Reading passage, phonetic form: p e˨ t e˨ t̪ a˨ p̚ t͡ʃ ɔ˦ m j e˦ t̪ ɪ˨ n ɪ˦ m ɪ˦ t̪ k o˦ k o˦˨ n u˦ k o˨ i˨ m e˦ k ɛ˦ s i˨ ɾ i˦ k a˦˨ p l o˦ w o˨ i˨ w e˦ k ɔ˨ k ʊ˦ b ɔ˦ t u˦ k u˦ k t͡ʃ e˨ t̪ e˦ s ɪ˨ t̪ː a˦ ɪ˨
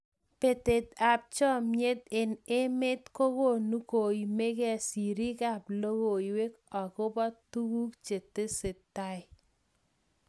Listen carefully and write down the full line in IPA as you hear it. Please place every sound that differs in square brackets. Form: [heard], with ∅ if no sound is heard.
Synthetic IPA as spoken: p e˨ t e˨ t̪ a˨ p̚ t͡ʃ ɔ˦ m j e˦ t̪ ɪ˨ n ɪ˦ m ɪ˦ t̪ k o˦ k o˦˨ n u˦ k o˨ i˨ m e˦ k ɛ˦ s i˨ ɾ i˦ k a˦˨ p l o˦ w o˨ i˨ w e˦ k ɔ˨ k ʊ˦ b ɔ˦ t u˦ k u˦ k t͡ʃ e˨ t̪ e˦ s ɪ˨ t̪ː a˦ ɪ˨